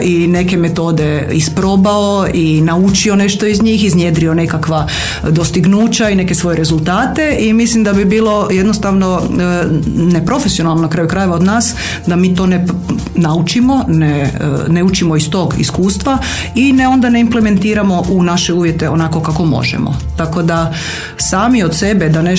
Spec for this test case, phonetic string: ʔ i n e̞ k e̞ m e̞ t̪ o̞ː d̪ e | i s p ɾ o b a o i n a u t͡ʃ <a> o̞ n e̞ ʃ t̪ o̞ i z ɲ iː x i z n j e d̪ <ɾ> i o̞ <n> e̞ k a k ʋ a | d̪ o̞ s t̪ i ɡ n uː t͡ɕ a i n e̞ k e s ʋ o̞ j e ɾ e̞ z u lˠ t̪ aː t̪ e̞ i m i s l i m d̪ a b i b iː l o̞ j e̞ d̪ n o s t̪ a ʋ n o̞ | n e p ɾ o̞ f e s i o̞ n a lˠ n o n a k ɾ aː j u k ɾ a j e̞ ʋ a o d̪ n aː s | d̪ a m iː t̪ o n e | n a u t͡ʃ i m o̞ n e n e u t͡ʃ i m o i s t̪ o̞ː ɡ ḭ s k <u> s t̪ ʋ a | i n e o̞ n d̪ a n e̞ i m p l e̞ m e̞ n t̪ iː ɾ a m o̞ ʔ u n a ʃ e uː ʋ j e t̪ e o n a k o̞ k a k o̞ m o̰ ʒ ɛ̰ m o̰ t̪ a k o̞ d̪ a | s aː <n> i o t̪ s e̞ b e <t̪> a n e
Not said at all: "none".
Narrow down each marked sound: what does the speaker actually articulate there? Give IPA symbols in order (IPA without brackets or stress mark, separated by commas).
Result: i, ɾ, n, uː, m, d̪